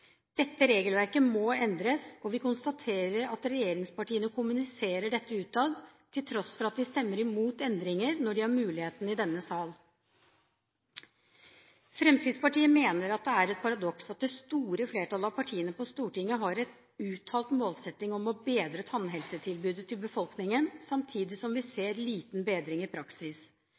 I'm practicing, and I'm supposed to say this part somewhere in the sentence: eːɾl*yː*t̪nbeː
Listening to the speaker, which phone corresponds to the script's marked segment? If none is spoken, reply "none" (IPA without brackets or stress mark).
iː